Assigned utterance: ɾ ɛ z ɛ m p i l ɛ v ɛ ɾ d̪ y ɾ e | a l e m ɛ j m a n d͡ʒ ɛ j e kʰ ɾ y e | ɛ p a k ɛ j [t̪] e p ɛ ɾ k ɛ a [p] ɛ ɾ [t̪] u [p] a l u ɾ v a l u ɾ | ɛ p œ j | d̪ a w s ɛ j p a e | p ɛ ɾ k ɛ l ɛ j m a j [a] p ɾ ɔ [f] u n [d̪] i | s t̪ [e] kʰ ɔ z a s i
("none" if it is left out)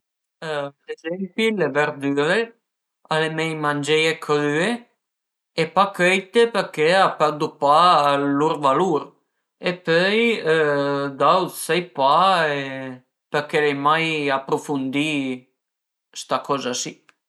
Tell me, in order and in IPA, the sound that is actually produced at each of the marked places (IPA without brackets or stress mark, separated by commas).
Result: t̪, p, d̪, p, a, f, d̪, a